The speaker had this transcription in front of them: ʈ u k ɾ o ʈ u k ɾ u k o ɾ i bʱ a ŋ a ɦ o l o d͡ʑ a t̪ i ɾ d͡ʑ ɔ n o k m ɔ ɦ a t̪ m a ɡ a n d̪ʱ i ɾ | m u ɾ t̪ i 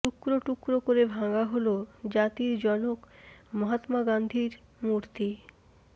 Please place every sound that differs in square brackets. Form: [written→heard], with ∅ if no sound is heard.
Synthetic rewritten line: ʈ u k ɾ o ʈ u k ɾ [u→o] k o ɾ [i→e] bʱ a ŋ a ɦ o l o d͡ʑ a t̪ i ɾ d͡ʑ ɔ n o k m ɔ ɦ a t̪ m a ɡ a n d̪ʱ i ɾ | m u ɾ t̪ i